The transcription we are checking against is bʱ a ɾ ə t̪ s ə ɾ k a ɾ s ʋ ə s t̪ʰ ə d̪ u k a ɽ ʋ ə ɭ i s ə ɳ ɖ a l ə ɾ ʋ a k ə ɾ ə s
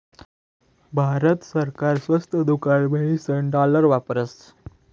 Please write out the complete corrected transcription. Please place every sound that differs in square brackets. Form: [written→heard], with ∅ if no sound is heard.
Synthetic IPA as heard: bʱ a ɾ ə t̪ s ə ɾ k a ɾ s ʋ ə s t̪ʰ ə d̪ u k a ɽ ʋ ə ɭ i s ə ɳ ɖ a l ə ɾ ʋ a [k→p] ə ɾ ə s